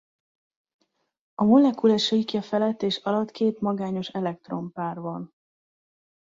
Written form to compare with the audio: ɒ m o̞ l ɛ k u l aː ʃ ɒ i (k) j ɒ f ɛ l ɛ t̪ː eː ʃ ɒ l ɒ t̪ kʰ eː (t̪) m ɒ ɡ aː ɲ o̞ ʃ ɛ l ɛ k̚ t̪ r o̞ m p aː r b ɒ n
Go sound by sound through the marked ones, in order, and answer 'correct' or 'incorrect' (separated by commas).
correct, correct